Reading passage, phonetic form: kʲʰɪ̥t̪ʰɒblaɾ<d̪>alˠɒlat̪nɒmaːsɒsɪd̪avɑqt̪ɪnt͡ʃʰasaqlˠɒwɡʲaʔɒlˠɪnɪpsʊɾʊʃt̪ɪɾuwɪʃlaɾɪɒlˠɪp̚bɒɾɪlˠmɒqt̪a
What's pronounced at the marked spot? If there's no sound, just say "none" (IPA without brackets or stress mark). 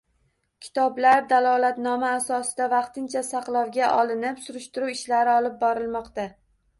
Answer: d̪